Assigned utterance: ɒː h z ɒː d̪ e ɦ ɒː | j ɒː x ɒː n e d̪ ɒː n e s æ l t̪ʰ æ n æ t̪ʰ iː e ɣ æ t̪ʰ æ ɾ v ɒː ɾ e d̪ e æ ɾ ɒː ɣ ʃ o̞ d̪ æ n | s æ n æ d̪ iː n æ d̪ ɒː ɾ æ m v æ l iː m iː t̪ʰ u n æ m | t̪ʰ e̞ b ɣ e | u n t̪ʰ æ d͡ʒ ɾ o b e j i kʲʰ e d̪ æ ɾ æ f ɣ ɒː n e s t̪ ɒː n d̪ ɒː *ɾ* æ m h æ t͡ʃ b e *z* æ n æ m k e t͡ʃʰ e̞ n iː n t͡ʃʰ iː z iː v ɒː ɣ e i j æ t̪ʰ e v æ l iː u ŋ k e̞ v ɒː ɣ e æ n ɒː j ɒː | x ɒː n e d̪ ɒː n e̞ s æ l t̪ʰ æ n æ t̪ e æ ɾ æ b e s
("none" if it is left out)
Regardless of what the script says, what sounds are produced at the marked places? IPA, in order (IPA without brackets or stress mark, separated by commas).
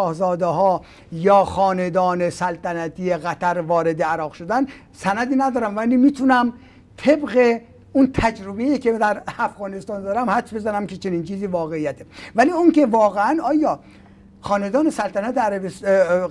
ɾ, z